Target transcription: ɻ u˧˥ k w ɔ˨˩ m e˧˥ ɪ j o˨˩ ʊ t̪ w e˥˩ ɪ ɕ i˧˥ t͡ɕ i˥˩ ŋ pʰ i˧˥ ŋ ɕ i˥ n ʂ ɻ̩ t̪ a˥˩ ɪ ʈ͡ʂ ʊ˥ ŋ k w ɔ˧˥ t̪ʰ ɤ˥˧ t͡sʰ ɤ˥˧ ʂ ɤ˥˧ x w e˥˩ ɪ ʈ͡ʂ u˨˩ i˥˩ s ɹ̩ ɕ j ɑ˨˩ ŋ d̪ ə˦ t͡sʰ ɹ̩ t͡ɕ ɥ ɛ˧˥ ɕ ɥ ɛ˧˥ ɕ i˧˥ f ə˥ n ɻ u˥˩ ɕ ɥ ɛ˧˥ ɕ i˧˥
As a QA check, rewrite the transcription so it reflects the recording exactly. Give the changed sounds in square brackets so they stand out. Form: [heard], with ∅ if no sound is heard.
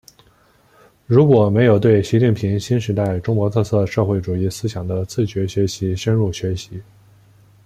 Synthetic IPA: ɻ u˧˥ k w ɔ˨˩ m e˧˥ ɪ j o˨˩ ʊ t̪ w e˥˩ ɪ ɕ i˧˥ t͡ɕ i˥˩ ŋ pʰ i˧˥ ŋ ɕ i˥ n ʂ ɻ̩ t̪ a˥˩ ɪ ʈ͡ʂ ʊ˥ ŋ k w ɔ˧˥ t̪ʰ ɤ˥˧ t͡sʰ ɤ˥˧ ʂ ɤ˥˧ x w e˥˩ ɪ ʈ͡ʂ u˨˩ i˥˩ s ɹ̩ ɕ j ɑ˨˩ ŋ d̪ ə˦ t͡sʰ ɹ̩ t͡ɕ ɥ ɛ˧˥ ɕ ɥ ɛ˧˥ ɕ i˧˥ [ʂ] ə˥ n ɻ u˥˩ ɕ ɥ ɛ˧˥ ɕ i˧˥